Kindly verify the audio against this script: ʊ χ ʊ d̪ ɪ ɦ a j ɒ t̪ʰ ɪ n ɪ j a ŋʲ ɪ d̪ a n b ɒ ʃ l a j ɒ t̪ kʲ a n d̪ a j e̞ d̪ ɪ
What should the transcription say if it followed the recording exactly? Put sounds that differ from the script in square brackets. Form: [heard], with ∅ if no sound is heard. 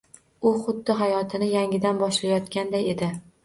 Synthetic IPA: ʊ χ ʊ [d̪ː] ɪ ɦ a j ɒ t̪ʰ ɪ n ɪ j a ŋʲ ɪ d̪ a n b ɒ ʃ l a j ɒ t̪ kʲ a n d̪ a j e̞ d̪ ɪ